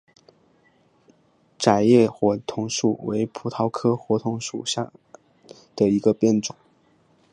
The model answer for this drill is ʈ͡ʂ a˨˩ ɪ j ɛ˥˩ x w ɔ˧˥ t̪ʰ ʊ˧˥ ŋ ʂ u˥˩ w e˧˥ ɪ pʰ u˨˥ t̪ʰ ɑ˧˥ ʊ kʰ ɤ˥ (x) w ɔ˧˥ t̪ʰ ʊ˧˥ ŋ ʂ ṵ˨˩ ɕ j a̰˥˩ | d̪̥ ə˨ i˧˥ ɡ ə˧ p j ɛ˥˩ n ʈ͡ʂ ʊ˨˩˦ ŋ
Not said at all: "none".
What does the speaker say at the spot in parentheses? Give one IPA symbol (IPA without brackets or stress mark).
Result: x